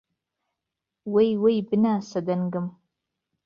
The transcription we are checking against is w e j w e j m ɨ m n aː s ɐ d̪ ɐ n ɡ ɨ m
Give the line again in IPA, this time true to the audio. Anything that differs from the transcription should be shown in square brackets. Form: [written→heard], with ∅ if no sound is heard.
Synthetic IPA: w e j w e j [m→b] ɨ [m→∅] n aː s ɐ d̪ ɐ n ɡ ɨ m